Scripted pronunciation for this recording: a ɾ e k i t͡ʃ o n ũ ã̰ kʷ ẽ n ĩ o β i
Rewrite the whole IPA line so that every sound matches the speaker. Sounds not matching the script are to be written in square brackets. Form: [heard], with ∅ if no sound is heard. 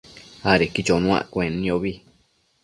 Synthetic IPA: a ɾ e k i t͡ʃ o n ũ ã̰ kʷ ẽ n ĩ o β i